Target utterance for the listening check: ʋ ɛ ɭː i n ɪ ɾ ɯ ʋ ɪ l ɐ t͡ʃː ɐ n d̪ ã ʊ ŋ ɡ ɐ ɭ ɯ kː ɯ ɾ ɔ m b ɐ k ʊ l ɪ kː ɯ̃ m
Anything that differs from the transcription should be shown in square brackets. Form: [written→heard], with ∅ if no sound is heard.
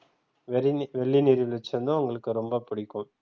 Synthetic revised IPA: ʋ ɛ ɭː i n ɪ ɾ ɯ ʋ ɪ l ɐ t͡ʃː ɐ n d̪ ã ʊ ŋ ɡ ɐ ɭ ɯ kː ɯ ɾ ɔ m b ɐ [k→p] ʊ [l→ɽ] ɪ kː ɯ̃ m